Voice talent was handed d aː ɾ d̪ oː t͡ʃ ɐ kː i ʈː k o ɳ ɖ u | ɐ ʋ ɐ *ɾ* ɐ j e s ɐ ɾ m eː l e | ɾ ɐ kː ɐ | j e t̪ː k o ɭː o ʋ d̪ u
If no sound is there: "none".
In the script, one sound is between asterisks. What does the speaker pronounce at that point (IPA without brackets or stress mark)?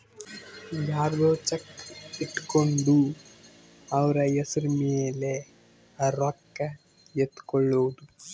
ɾ